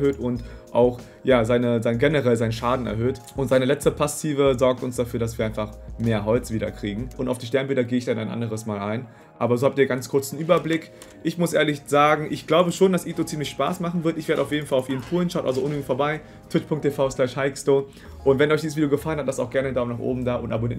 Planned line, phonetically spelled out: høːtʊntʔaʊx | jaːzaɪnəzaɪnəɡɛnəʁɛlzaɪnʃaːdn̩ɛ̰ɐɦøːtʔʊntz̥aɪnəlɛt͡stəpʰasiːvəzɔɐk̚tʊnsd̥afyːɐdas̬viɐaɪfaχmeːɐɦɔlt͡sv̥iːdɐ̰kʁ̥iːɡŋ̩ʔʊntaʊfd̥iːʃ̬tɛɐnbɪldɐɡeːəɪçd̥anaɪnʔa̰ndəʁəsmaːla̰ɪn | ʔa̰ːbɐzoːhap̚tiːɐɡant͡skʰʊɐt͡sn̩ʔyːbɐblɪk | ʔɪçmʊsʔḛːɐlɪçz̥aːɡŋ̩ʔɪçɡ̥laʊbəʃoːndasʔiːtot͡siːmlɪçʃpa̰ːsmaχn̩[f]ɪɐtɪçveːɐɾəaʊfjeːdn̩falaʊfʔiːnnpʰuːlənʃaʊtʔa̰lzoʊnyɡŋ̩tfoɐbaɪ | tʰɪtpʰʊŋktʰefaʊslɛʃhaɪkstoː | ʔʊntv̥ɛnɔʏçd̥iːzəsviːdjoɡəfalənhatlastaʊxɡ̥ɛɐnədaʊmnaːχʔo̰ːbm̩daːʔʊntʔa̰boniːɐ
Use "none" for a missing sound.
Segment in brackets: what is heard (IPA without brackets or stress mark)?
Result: v